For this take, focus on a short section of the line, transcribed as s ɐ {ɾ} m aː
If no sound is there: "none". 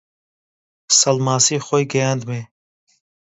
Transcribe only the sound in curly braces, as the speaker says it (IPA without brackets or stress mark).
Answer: l